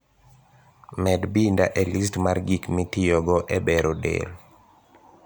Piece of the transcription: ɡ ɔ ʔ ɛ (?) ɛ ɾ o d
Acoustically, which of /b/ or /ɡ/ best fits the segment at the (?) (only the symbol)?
b